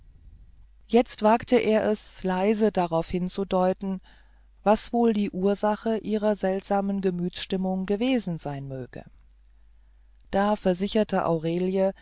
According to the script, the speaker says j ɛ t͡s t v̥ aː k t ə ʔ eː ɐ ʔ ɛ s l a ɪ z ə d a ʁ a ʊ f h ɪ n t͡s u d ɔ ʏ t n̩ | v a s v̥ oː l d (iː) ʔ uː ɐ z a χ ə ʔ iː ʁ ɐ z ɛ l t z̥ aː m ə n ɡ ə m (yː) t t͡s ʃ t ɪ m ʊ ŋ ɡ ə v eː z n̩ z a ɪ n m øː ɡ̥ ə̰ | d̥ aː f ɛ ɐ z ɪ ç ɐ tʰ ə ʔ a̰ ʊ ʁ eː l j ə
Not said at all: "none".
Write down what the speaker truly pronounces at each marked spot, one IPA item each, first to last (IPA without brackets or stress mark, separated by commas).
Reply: iː, yː